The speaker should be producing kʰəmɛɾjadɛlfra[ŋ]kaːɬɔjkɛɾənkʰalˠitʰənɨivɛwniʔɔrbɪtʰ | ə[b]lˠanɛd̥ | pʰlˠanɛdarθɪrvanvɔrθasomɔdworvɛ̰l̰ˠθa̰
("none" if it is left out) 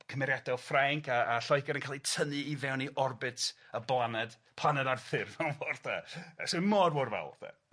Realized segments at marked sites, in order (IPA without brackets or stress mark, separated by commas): ŋ, b